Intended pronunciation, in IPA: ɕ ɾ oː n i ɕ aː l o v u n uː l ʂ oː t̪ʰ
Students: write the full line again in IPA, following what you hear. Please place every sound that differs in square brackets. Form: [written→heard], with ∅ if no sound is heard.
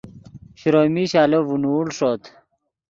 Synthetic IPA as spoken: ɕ ɾ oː [n→m] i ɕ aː l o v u n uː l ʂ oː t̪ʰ